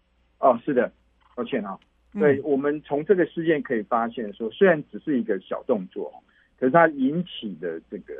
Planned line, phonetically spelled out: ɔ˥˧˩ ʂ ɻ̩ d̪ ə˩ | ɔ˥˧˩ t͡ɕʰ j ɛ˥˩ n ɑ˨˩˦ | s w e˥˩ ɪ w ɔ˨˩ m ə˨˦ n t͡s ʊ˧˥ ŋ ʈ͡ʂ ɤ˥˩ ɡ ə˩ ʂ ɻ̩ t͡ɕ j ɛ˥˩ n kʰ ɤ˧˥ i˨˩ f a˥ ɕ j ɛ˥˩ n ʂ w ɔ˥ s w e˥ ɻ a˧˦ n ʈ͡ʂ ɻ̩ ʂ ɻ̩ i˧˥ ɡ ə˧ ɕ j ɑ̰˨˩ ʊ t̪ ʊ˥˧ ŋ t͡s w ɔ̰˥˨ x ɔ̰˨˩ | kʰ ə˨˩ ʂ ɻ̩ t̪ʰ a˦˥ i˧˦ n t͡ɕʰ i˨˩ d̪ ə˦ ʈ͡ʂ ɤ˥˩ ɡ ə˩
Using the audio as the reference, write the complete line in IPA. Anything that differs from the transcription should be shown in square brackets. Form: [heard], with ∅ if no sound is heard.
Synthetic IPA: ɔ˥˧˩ ʂ ɻ̩ d̪ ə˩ | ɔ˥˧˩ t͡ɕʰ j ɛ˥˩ n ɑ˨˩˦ | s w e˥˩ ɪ w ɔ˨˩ m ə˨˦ n [t͡sʰ] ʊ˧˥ ŋ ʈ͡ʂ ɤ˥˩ ɡ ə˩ ʂ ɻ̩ t͡ɕ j ɛ˥˩ n kʰ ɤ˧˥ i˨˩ f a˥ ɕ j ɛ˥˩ n ʂ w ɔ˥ s w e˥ ɻ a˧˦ n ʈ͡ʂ ɻ̩ ʂ ɻ̩ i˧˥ ɡ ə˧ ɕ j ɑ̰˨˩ ʊ t̪ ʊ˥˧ ŋ t͡s w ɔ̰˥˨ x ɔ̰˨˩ | kʰ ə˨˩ ʂ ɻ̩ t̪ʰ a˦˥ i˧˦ n t͡ɕʰ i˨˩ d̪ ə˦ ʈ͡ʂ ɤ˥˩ ɡ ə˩